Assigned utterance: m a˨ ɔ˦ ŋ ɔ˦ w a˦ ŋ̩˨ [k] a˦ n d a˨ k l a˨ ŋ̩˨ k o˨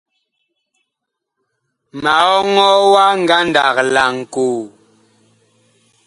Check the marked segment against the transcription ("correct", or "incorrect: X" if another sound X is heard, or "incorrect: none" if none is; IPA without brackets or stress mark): incorrect: ɡ